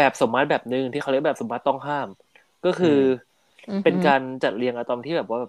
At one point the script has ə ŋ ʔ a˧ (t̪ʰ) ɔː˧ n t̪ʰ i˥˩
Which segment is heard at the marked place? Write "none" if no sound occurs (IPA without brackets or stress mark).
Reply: t̪